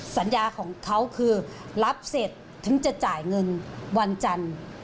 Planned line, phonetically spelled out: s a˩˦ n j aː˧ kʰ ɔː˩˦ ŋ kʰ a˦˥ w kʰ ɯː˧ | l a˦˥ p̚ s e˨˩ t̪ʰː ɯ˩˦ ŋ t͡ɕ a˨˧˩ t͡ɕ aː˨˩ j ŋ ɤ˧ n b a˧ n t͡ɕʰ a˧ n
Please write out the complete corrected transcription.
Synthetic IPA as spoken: s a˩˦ n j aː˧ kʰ ɔː˩˦ ŋ kʰ a˦˥ w kʰ ɯː˧ | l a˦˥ p̚ s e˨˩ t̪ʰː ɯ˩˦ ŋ t͡ɕ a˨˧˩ t͡ɕ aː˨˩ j ŋ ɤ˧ n w a˧ n t͡ɕ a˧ n